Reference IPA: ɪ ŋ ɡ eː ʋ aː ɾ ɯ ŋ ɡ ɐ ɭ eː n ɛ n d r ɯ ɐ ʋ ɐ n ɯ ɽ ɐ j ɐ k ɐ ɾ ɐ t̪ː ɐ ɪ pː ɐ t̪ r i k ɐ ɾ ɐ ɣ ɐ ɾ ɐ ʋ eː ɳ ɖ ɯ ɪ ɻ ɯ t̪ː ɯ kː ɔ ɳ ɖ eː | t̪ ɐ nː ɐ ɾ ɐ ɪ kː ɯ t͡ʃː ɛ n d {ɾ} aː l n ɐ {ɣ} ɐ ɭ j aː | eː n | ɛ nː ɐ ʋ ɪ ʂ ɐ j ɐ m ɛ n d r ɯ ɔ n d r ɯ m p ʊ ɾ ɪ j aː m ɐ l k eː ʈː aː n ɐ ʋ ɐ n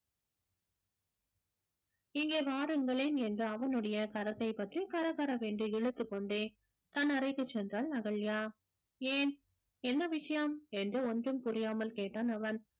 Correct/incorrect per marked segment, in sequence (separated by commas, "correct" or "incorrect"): incorrect, correct